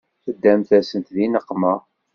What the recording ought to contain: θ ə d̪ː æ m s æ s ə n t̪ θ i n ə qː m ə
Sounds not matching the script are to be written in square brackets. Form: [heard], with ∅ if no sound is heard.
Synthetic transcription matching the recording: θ ə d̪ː æ m [θ] æ s ə n t̪ [ð] i n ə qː m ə